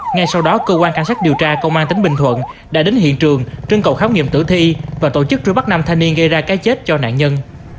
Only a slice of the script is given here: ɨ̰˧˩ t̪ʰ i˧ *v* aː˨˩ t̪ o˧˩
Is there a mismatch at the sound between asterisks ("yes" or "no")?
no